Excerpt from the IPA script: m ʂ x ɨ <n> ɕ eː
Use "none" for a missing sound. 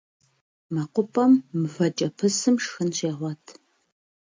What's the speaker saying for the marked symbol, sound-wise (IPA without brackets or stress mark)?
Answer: n